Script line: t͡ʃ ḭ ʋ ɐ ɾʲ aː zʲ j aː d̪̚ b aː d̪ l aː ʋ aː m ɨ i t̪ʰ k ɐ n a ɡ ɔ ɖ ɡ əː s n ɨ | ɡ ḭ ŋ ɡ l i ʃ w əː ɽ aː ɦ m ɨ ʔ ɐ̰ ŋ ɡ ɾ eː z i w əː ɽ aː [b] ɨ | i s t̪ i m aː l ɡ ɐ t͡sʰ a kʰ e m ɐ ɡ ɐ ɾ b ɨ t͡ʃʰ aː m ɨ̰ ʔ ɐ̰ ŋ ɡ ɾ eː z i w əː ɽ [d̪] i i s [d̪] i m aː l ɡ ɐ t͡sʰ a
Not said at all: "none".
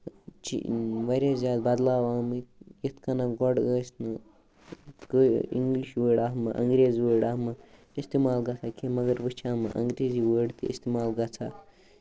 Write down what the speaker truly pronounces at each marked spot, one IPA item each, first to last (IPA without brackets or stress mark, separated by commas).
m, t̪, t̪